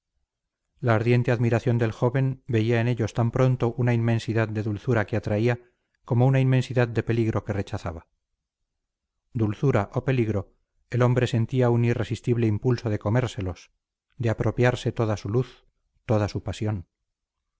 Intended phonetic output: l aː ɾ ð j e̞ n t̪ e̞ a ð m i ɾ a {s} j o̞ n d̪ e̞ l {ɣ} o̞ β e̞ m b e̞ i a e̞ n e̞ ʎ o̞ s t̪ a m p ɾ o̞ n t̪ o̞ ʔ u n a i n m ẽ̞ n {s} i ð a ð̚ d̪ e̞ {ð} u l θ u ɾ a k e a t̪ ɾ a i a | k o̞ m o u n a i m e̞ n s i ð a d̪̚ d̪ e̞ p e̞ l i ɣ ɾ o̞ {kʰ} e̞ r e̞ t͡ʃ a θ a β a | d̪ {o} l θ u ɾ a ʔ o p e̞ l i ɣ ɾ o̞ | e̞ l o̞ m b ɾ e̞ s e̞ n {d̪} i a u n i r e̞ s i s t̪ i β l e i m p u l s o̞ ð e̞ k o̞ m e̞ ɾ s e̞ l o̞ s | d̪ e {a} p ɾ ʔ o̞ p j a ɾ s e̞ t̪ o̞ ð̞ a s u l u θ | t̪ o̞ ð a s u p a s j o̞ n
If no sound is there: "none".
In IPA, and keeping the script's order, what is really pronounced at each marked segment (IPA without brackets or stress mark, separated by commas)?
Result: θ, x, s, ð, k, u, t̪, a